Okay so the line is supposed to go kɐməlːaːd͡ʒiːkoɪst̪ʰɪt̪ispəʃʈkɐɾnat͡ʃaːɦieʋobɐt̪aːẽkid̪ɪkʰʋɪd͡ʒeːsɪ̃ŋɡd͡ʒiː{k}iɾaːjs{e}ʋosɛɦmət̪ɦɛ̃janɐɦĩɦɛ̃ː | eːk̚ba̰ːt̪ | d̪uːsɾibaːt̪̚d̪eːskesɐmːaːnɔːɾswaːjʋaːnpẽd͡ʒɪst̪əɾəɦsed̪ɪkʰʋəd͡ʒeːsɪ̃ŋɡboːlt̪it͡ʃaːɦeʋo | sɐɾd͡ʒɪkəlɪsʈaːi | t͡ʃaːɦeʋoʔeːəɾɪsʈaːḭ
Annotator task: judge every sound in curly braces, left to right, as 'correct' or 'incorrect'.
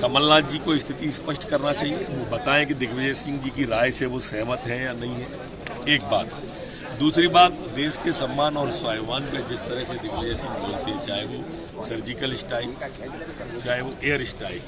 correct, correct

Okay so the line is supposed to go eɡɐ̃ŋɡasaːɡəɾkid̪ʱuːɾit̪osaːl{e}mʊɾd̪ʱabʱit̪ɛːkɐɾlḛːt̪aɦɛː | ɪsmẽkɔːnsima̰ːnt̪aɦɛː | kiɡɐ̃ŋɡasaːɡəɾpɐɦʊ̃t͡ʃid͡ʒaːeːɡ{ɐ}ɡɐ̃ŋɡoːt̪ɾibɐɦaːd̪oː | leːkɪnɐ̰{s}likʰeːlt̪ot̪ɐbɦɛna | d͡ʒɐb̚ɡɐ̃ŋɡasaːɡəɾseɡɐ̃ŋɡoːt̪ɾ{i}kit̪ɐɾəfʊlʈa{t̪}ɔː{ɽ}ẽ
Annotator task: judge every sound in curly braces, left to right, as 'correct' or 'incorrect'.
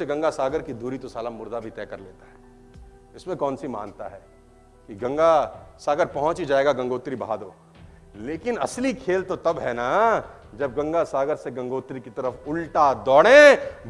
incorrect, incorrect, correct, correct, incorrect, correct

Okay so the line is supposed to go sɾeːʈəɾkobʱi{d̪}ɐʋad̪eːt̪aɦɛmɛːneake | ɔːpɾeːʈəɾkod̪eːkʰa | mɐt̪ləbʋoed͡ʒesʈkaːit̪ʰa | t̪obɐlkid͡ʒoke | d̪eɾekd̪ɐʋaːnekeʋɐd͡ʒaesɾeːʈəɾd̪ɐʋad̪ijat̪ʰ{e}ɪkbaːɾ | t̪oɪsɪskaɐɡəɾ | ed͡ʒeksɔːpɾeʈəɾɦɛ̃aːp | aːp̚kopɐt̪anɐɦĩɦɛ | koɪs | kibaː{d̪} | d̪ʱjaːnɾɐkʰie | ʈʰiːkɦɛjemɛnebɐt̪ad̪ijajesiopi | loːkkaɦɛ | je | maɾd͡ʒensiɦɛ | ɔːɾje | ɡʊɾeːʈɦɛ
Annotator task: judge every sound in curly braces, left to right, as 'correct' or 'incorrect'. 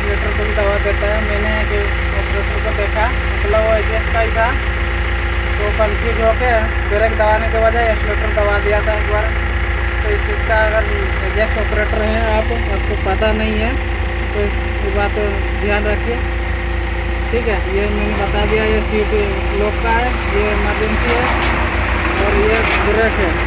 correct, incorrect, incorrect

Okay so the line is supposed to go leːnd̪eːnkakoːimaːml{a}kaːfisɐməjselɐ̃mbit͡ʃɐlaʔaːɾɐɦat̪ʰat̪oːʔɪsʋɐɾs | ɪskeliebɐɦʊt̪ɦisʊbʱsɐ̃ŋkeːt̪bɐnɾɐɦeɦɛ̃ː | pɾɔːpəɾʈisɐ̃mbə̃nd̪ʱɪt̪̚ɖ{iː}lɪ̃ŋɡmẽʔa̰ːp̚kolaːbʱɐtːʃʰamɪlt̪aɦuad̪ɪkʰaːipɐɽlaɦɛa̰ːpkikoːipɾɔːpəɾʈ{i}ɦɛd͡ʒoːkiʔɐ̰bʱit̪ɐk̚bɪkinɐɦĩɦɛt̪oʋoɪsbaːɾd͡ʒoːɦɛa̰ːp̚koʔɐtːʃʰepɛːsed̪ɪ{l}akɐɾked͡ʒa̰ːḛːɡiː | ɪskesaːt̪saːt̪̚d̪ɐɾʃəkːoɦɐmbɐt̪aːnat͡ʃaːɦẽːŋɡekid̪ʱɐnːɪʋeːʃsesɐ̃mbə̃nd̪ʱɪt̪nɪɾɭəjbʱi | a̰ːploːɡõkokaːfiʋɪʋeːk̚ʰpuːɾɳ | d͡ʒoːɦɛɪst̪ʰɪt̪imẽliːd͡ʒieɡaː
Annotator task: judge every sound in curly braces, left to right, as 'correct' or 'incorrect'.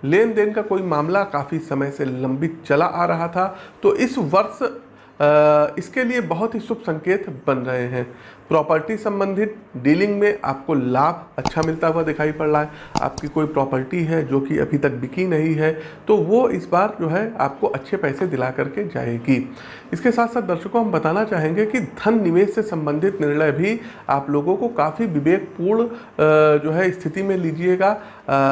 correct, correct, correct, correct

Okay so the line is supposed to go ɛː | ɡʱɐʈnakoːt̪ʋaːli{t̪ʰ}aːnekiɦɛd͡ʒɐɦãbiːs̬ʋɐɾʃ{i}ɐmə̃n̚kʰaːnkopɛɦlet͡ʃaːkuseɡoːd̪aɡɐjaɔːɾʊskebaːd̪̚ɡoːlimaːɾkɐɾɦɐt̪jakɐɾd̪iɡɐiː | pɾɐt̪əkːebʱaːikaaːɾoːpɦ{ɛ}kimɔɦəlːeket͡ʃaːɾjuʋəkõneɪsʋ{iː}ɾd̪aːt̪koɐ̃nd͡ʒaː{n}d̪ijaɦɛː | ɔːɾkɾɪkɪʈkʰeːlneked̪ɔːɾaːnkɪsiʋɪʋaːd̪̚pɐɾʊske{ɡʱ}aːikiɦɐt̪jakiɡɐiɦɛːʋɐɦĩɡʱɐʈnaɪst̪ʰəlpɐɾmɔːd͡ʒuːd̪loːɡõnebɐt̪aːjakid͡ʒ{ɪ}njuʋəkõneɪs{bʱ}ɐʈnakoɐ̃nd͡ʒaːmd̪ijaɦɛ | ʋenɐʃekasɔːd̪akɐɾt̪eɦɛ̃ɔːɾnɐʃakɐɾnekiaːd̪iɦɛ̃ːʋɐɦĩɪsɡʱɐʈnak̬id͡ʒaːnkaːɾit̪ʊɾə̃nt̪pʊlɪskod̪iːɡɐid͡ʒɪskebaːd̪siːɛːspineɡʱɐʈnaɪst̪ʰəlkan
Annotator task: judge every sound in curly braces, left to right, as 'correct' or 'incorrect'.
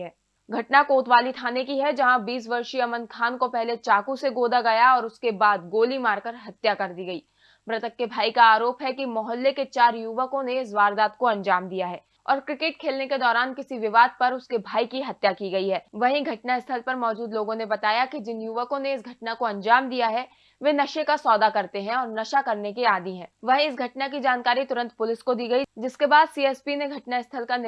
correct, correct, correct, incorrect, incorrect, incorrect, correct, incorrect

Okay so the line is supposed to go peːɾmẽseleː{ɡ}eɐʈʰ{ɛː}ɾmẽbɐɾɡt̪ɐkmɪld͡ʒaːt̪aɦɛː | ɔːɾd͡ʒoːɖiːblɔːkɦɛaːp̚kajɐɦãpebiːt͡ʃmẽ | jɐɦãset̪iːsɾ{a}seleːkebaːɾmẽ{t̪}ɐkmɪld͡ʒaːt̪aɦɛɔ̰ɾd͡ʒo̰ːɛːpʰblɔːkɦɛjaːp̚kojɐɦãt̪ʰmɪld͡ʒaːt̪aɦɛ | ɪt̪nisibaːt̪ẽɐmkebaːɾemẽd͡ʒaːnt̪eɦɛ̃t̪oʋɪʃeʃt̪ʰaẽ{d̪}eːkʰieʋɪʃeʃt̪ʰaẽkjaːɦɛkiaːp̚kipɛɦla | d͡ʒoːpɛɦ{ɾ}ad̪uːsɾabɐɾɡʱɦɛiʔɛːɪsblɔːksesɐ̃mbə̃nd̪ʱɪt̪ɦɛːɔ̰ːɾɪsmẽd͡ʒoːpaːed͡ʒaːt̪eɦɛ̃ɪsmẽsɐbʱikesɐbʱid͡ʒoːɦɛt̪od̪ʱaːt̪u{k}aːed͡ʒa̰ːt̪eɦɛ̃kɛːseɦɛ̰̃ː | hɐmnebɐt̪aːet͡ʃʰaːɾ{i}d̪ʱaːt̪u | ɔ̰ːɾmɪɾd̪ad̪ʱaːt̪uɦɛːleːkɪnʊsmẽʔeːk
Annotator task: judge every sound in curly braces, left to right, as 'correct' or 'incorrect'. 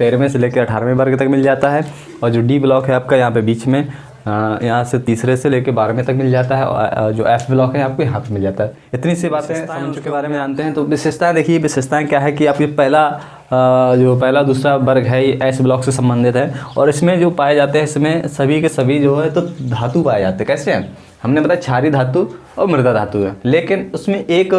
incorrect, incorrect, incorrect, correct, correct, incorrect, incorrect, correct

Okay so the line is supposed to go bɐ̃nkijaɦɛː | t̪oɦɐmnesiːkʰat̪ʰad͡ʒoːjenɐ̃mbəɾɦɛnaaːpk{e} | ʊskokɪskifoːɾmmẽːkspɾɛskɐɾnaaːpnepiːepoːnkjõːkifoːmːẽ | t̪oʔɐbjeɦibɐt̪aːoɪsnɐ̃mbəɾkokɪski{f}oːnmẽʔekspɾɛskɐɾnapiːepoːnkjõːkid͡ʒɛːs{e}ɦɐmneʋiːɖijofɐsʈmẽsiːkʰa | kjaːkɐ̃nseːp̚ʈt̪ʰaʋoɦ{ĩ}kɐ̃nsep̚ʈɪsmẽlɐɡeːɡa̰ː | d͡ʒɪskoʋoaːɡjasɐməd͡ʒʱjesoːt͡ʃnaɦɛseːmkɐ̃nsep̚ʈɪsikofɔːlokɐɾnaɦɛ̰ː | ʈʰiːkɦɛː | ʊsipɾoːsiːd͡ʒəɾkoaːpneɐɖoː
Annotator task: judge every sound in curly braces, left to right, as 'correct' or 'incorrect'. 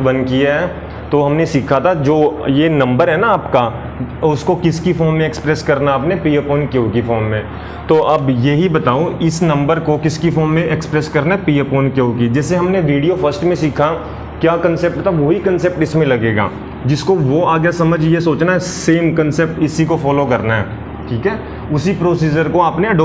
incorrect, correct, correct, incorrect

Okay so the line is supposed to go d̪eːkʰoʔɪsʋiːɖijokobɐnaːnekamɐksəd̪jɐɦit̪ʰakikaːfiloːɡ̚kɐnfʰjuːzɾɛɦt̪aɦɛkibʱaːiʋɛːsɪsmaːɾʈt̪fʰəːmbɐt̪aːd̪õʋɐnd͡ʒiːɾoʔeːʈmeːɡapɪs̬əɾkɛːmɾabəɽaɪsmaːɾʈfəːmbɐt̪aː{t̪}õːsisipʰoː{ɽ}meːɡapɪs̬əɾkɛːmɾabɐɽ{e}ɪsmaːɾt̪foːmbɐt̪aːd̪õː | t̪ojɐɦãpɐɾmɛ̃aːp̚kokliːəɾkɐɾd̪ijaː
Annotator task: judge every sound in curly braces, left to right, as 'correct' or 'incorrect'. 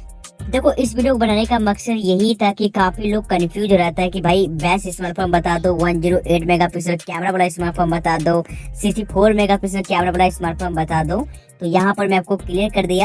incorrect, incorrect, incorrect

